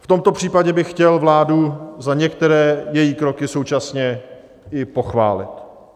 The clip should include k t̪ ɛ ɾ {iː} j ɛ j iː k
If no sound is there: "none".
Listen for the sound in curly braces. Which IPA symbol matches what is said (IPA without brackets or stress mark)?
ɛː